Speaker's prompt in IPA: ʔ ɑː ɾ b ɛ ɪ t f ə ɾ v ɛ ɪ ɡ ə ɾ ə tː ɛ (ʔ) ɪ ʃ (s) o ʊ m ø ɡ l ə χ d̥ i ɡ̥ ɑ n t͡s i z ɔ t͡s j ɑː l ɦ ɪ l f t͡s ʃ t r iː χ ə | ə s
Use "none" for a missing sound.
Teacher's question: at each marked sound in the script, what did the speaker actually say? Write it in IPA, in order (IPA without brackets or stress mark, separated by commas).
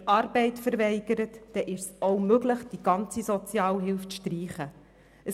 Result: ʔ, s